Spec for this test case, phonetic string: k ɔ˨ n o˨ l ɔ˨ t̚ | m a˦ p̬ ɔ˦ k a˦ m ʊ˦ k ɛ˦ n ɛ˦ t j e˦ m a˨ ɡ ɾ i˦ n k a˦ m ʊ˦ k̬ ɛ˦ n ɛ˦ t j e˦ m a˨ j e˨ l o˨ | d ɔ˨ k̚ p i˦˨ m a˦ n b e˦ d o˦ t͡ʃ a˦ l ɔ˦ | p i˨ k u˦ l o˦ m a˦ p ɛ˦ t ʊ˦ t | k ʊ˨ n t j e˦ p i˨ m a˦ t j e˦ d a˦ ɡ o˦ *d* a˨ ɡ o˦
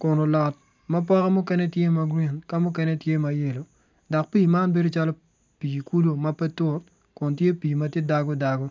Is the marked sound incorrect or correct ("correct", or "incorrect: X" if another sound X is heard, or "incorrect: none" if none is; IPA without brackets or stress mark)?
correct